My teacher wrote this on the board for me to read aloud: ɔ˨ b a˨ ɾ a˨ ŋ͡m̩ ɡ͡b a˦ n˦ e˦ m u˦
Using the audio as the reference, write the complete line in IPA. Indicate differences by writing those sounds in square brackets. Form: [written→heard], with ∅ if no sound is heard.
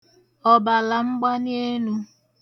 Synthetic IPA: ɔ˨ b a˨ [ɾ→l] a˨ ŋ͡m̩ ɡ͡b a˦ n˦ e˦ [m→n] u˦